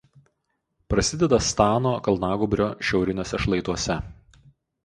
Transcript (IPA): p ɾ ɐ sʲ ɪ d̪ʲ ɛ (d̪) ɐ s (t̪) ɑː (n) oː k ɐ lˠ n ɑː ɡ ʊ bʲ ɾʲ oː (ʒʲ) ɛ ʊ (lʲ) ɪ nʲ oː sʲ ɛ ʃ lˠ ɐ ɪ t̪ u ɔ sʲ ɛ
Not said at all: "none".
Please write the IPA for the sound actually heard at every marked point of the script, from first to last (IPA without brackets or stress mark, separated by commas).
d̪, t̪, n, ʃʲ, ɾʲ